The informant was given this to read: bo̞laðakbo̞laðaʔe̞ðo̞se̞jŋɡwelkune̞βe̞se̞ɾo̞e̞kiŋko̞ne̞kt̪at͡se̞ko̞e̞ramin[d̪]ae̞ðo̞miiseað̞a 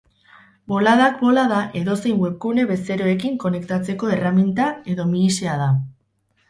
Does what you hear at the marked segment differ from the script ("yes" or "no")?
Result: yes